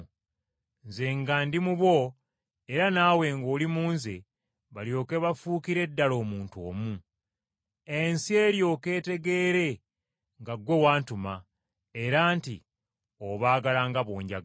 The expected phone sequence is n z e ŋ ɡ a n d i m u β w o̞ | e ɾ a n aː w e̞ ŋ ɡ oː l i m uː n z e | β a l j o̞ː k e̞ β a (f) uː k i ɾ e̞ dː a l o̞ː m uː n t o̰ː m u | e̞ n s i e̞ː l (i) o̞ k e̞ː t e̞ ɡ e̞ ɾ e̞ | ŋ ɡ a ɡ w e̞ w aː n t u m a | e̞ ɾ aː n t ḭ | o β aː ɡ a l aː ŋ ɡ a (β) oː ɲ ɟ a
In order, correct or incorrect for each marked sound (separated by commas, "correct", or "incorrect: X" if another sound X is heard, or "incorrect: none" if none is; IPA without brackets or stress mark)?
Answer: correct, incorrect: j, correct